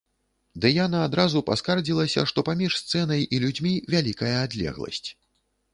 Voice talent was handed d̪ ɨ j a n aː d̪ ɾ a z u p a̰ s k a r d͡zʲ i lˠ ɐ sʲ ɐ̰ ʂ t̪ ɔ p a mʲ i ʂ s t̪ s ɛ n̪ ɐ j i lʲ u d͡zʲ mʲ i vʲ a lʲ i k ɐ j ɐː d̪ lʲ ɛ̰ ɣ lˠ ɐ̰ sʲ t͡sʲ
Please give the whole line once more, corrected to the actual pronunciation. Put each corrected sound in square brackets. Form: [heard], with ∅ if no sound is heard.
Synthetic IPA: d̪ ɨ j a n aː d̪ ɾ a z u p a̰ s k a r d͡zʲ i lˠ ɐ sʲ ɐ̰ ʂ t̪ ɔ p a mʲ i ʂ s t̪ s ɛ n̪ ɐ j i lʲ u d͡zʲ mʲ i vʲ a lʲ i k ɐ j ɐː d̪ lʲ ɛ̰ ɣ lˠ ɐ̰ sʲ t͡sʲ